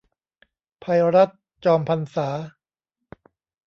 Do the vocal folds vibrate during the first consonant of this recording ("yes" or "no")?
no